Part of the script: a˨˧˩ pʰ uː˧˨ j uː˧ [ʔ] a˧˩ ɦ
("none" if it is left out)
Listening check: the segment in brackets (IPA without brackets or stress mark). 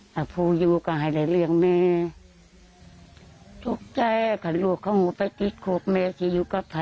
k